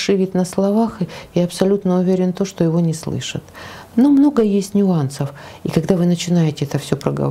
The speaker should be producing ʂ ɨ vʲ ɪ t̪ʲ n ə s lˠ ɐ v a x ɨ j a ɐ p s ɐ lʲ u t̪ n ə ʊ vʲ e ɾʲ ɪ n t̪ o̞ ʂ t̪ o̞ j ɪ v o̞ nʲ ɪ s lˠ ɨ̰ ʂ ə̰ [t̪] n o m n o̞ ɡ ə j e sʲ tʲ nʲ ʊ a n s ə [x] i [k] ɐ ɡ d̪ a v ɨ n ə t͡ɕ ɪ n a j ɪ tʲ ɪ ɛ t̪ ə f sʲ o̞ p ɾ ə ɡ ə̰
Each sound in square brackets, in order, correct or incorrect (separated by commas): correct, incorrect, correct